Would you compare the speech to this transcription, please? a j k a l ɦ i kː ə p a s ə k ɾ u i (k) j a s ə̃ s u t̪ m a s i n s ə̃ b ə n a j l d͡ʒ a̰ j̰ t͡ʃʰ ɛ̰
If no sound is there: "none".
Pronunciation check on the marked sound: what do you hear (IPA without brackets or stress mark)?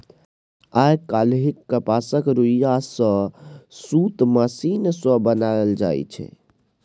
none